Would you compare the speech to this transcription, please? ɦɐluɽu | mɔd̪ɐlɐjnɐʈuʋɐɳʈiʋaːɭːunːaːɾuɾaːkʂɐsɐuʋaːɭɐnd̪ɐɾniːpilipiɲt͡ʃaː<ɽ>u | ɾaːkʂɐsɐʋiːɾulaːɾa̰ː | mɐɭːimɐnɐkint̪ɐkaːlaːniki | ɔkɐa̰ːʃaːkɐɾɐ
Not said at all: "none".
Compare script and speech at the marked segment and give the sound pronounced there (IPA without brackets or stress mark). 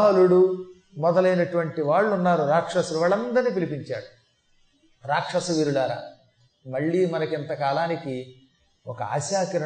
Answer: ɽ